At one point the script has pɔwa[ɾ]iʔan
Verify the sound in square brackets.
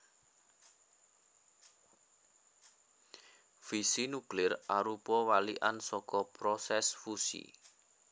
incorrect: l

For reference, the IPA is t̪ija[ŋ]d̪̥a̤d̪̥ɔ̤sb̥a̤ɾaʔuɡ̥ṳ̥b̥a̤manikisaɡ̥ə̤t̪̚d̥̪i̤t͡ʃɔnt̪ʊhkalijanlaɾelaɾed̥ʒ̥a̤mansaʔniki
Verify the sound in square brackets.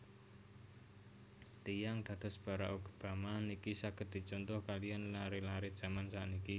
correct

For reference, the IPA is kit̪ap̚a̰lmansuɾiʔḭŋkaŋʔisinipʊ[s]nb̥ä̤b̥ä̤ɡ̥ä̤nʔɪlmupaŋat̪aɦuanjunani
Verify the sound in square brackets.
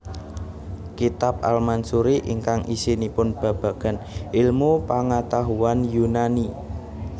incorrect: none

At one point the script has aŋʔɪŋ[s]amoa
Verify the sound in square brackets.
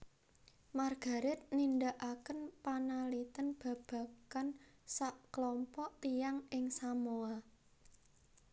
correct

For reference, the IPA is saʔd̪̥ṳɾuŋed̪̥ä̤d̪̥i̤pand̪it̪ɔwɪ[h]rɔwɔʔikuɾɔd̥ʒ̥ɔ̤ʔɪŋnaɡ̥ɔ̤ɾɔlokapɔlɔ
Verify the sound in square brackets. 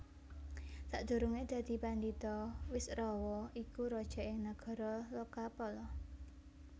incorrect: s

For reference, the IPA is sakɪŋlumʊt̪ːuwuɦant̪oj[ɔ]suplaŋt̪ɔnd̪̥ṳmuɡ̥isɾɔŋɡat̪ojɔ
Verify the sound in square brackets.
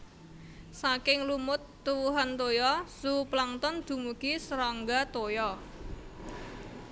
correct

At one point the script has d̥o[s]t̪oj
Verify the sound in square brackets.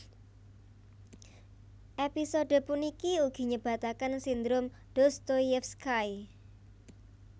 correct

